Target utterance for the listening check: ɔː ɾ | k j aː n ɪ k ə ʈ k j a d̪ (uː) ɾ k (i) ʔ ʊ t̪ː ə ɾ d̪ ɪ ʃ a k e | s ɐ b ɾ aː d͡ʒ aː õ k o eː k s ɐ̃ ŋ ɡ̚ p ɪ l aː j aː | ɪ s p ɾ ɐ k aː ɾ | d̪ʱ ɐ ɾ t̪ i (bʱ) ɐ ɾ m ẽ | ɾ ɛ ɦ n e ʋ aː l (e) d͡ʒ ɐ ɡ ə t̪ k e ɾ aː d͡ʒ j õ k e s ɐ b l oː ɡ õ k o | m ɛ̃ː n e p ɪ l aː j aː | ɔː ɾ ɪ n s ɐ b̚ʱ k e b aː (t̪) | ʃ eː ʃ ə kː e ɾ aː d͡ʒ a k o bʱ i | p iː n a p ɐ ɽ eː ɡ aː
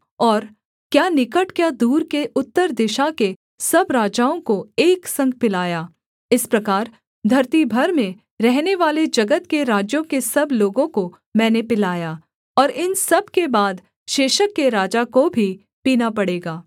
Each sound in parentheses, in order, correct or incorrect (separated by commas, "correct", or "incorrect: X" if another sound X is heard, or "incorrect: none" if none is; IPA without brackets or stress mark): correct, incorrect: e, correct, correct, incorrect: d̪